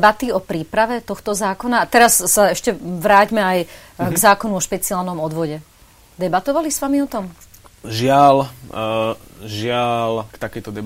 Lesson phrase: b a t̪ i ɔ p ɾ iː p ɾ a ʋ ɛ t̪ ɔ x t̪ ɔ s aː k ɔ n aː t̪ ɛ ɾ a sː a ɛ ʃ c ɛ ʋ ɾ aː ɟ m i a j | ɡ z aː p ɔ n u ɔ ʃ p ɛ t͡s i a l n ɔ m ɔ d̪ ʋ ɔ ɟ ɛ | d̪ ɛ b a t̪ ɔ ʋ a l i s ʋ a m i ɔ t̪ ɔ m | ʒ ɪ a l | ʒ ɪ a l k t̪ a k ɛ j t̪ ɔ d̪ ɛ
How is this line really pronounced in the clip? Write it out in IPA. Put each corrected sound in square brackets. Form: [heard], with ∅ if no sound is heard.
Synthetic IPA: b a t̪ i ɔ p ɾ iː p ɾ a ʋ ɛ t̪ ɔ x t̪ ɔ [z] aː k ɔ n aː t̪ ɛ ɾ a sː a ɛ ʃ c ɛ ʋ ɾ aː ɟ m [ɛ] a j | ɡ z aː [k] ɔ n u ɔ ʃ p ɛ t͡s i a l n ɔ m ɔ d̪ ʋ ɔ ɟ ɛ | d̪ ɛ b a t̪ ɔ ʋ a l i s ʋ a m i ɔ t̪ ɔ m | ʒ ɪ a l | ʒ ɪ a l k t̪ a k ɛ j t̪ ɔ d̪ ɛ